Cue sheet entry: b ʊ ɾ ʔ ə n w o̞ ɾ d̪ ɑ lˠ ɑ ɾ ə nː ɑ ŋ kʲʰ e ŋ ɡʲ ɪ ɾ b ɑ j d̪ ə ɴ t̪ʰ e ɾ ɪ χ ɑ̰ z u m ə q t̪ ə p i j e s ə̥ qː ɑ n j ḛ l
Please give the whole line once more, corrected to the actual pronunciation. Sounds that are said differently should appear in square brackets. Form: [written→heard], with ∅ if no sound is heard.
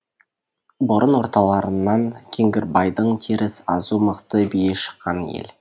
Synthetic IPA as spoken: b ʊ ɾ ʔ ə n w o̞ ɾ [d̪→t̪] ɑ lˠ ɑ ɾ ə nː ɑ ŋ kʲʰ e ŋ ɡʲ ɪ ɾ b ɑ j d̪ ə ɴ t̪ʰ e ɾ ɪ [χ→s] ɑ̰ z u m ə q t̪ ə [p→b] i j e [s→ʃ] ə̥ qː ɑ n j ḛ l